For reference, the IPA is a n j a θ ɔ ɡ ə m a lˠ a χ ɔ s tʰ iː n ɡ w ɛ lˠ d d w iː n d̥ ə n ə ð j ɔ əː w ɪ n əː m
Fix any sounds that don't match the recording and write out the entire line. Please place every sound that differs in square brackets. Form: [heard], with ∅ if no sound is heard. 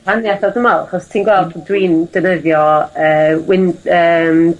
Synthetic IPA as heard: a n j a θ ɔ [d] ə m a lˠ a χ ɔ s tʰ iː n ɡ w ɛ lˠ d d w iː n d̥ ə n ə ð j ɔ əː w ɪ n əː m